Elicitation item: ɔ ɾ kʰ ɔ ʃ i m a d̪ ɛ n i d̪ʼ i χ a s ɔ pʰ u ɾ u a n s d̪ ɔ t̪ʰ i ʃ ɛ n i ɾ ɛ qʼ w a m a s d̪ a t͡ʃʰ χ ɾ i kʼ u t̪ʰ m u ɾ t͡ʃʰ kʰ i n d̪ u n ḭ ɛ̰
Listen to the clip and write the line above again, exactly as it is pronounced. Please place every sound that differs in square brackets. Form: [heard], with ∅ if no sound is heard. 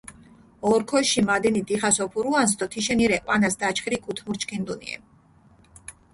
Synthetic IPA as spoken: ɔ ɾ kʰ ɔ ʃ i m a d̪ ɛ n i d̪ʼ i χ a s ɔ pʰ u ɾ u a n s d̪ ɔ t̪ʰ i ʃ ɛ n i ɾ ɛ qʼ w a [n] a s d̪ a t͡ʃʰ χ ɾ i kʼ u t̪ʰ m u ɾ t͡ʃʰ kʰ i n d̪ u n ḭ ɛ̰